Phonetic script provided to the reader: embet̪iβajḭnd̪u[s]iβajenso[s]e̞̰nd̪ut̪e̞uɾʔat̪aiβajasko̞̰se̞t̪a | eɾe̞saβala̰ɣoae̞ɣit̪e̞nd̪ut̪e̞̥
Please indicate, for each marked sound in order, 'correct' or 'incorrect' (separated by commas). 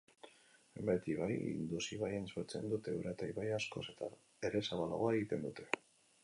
correct, incorrect